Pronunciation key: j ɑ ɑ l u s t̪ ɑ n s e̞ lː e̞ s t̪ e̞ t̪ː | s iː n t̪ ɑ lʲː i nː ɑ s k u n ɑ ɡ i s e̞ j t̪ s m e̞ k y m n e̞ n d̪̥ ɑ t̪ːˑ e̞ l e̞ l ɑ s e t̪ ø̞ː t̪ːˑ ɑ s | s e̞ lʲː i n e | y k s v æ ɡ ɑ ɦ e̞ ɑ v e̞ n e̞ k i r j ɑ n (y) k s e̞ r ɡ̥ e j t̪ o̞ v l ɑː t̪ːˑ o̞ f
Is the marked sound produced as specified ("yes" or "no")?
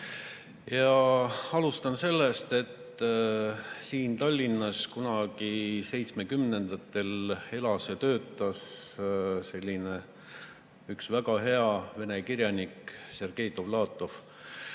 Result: no